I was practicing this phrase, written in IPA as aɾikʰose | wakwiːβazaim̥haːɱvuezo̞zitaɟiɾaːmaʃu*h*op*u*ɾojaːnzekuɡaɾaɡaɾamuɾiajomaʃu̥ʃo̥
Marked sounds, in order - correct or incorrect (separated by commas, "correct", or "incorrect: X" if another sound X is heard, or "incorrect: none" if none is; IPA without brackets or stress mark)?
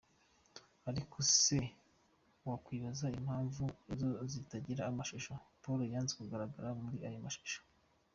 incorrect: ʃ, incorrect: o